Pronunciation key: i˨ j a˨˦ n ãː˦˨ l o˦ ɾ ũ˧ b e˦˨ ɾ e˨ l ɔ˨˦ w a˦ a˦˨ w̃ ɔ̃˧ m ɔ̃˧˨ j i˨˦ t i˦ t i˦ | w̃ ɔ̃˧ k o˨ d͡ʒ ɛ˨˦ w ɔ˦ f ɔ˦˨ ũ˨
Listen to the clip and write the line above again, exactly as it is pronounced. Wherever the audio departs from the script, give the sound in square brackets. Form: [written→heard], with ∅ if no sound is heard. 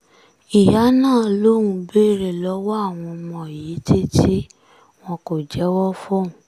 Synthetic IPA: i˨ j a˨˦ n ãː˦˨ l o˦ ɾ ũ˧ b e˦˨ ɾ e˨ l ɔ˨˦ w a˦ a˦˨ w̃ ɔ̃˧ m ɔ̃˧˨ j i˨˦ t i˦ t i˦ | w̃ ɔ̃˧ k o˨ d͡ʒ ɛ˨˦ w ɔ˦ f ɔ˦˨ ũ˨

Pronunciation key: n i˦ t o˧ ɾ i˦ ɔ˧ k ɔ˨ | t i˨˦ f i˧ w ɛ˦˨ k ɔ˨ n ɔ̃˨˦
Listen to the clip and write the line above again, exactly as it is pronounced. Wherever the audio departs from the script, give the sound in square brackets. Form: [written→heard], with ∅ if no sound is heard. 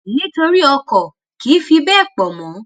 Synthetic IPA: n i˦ t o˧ ɾ i˦ ɔ˧ k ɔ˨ | [t→k] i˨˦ f i˧ [w→b] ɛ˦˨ [k→k͡p] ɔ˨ [n→m] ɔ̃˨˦

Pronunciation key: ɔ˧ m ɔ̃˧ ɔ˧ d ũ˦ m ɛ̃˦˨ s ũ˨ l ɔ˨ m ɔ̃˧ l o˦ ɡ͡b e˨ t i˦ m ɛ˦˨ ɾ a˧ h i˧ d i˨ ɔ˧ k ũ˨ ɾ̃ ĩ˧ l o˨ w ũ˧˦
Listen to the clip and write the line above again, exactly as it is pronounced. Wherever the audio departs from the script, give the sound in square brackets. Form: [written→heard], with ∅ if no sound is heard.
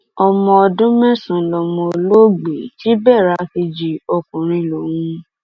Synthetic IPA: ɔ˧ m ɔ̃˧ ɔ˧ d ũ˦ m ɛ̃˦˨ s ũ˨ l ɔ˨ m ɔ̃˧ l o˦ ɡ͡b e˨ t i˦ [m→b] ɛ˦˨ ɾ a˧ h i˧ [d→d͡ʒ] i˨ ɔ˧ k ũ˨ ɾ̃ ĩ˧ l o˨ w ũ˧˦

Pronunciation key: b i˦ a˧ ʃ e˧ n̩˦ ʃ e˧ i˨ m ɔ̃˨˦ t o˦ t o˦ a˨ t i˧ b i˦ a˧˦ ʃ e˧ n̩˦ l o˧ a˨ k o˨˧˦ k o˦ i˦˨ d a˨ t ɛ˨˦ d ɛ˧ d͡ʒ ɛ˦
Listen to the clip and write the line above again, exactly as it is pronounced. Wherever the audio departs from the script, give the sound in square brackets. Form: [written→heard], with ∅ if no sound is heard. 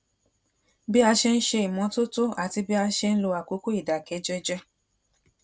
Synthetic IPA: b i˦ a˧ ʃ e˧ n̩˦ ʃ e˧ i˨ m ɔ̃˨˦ t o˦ t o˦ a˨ t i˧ b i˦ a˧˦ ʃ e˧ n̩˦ l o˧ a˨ k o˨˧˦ k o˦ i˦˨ d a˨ [t→k] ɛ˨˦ [d→d͡ʒ] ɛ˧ d͡ʒ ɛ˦

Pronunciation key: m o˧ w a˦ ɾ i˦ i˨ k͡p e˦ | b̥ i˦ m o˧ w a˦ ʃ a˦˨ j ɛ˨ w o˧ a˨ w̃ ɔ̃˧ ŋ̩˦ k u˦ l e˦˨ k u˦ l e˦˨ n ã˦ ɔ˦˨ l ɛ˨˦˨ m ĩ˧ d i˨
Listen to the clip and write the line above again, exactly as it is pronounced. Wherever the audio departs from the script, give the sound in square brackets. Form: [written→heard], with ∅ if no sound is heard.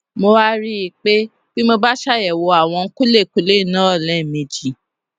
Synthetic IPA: m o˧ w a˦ ɾ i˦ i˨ k͡p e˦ | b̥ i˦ m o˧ [w→b] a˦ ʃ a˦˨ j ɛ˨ w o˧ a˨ w̃ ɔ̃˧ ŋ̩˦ k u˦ l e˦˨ k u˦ l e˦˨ n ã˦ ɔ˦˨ l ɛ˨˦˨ m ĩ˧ [d→d͡ʒ] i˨

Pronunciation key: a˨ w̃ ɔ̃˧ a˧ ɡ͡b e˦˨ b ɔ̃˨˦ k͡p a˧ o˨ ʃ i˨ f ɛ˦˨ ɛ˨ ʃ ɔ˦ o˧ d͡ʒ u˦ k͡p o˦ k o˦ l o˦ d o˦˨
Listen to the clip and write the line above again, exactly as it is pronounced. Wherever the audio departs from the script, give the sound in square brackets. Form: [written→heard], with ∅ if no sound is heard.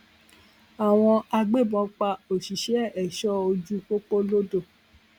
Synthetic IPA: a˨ w̃ ɔ̃˧ a˧ ɡ͡b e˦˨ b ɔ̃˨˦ k͡p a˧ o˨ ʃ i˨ [f→ʃ] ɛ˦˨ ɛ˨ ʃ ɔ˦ o˧ d͡ʒ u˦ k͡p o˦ [k→k͡p] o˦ l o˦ d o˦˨

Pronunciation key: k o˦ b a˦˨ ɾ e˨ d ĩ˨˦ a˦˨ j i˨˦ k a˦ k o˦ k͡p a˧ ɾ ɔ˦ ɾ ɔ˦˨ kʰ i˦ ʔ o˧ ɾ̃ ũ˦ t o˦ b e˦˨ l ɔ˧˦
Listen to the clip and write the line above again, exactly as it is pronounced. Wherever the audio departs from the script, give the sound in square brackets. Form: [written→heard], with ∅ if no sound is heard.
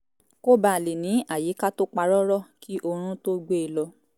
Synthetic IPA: k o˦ b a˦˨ [ɾ→l] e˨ [d→n] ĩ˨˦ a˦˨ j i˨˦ k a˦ [k→t] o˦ k͡p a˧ ɾ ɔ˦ ɾ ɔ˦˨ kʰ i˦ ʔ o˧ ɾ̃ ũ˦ t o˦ [b→ɡ͡b] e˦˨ l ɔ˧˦

